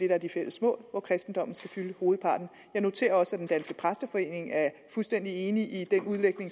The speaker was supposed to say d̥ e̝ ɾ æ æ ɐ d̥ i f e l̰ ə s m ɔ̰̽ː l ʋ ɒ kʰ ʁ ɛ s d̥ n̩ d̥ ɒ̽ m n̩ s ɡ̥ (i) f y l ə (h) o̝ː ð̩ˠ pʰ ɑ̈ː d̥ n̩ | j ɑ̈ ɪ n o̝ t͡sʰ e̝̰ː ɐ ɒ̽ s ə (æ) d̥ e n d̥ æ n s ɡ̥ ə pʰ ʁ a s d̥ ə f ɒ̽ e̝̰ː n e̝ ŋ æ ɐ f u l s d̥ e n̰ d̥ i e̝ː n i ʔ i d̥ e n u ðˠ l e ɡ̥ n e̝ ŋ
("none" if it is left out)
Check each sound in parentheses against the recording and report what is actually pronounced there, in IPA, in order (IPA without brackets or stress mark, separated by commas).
æ, h, æ